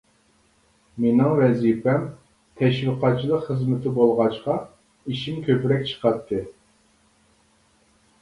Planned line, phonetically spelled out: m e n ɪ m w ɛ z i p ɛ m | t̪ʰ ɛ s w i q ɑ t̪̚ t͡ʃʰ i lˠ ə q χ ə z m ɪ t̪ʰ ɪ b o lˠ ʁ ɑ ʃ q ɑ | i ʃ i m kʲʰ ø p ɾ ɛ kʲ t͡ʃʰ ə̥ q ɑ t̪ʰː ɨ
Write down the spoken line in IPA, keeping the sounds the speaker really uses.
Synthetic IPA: m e n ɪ ŋ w ɛ z i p ɛ m | t̪ʰ ɛ ʃ w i q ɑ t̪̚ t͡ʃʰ i lˠ ə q χ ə z m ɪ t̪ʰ ɪ b o lˠ ʁ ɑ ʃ q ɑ | i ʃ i m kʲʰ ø p ɾ ɛ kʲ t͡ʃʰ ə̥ q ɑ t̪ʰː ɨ